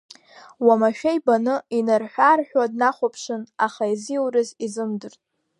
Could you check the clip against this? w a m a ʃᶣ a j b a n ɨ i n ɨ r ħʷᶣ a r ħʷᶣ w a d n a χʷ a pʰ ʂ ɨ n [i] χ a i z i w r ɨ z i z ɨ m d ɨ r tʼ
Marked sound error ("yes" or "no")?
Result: yes